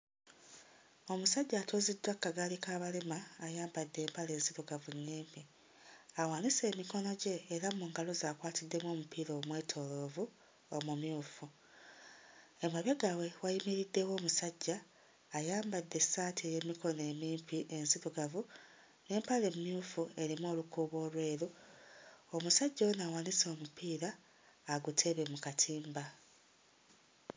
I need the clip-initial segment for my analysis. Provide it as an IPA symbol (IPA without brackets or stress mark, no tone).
o̞